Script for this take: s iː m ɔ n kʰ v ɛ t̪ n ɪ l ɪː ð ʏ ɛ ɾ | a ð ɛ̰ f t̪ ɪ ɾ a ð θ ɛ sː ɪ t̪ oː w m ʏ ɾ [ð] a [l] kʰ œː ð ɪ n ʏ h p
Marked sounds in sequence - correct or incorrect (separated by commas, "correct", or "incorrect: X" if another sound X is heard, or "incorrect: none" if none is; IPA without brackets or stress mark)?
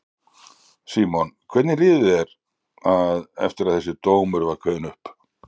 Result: incorrect: v, incorrect: ɾ